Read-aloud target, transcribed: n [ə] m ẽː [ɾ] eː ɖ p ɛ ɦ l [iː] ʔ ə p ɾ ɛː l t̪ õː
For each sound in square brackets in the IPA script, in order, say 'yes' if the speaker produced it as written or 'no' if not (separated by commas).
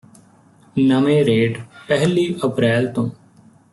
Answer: yes, yes, yes